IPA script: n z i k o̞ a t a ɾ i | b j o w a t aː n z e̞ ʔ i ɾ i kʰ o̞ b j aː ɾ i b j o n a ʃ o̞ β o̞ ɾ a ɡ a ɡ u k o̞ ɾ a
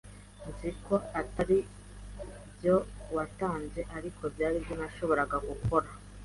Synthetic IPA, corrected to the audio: n z i k o̞ a t a ɾ i | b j o w a t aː n z e̞ ʔ a ɾ i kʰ o̞ b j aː ɾ i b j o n a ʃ o̞ β o̞ ɾ a ɡ a ɡ u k o̞ ɾ a